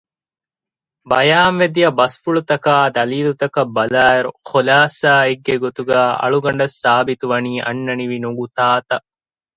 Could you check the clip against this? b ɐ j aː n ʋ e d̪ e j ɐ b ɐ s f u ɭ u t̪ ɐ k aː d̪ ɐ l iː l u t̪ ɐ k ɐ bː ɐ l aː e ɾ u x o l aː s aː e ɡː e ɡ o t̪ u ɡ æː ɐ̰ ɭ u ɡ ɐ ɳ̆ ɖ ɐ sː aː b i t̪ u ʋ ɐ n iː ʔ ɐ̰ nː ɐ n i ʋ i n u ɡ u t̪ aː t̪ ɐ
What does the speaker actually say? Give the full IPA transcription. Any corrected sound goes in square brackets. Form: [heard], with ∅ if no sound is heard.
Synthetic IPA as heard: b ɐ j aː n ʋ e d̪ [i] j ɐ b ɐ s f u ɭ u t̪ ɐ k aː d̪ ɐ l iː l u t̪ ɐ k ɐ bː ɐ l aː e ɾ u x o l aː s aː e ɡː e ɡ o t̪ u ɡ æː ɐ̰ ɭ u ɡ ɐ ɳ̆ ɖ ɐ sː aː b i t̪ u ʋ ɐ n iː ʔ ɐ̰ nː ɐ n i ʋ i n u ɡ u t̪ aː t̪ ɐ